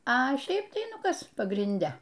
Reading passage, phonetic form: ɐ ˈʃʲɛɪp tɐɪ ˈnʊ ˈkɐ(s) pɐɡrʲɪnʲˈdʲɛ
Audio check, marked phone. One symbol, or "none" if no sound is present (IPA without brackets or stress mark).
s